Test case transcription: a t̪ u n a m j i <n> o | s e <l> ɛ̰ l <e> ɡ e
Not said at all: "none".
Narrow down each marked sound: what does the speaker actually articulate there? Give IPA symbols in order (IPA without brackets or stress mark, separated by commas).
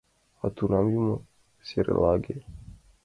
m, ɾ, a